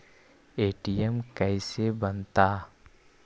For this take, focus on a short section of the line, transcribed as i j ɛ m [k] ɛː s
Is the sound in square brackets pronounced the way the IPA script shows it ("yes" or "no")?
yes